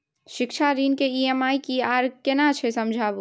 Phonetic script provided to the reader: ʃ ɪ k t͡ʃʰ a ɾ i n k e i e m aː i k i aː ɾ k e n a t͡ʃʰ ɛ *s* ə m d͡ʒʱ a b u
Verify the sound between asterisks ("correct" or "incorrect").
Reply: correct